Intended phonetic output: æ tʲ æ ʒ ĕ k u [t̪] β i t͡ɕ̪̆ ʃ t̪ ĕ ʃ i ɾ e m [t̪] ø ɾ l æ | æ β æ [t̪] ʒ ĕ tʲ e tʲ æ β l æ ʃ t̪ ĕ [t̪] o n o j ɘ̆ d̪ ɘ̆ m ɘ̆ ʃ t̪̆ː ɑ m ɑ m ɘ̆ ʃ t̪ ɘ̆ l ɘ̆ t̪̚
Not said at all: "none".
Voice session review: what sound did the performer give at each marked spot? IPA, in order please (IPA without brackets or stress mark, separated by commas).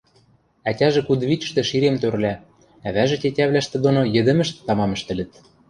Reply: d̪, t̪, none, d̪